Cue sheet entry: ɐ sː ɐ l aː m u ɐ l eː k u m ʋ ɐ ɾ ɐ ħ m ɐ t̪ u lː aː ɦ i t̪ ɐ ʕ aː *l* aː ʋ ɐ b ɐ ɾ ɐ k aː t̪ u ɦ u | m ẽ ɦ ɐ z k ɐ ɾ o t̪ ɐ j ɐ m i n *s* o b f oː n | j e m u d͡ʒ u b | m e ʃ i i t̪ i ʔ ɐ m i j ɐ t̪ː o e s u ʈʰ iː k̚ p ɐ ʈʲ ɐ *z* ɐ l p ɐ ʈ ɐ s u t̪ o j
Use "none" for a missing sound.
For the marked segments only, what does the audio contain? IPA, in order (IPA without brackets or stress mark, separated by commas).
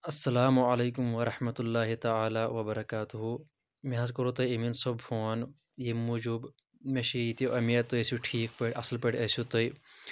l, s, s